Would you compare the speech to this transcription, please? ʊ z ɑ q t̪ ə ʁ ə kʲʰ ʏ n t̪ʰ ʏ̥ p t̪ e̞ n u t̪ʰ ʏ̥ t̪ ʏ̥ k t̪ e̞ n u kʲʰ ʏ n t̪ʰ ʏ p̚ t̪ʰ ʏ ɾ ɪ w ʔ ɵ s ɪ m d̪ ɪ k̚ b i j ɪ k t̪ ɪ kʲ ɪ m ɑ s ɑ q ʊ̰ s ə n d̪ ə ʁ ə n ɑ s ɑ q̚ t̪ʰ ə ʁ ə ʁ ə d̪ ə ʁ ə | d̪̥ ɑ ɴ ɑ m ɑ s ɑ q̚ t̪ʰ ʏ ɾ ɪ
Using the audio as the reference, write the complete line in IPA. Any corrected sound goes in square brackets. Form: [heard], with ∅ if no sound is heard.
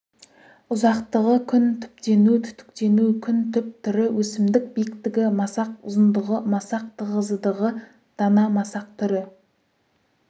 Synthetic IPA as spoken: ʊ z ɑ q t̪ ə ʁ ə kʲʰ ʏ n t̪ʰ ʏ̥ p t̪ e̞ n u t̪ʰ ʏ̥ t̪ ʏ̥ k t̪ e̞ n u kʲʰ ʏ n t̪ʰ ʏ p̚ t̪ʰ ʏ ɾ ɪ w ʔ ɵ s ɪ m d̪ ɪ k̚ b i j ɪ k t̪ ɪ [ɡʲ] ɪ m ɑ s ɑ q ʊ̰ [z] ə n d̪ ə ʁ ə [m] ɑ s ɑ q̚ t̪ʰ ə ʁ ə [z] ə d̪ ə ʁ ə | d̪̥ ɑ [n] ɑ m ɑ s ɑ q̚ t̪ʰ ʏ ɾ ɪ